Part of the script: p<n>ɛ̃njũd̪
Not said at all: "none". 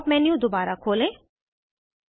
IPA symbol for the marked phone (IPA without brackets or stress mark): m